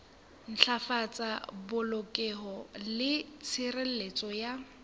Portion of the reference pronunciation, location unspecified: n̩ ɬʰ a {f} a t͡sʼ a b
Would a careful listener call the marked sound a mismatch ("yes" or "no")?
no